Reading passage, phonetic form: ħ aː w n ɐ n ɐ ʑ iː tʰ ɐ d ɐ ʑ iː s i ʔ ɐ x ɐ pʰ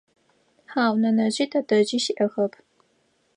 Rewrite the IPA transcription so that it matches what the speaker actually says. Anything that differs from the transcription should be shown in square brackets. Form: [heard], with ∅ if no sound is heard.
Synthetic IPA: ħ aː w n ɐ n ɐ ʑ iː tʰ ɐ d ɐ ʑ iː [ʃ] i ʔ ɐ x ɐ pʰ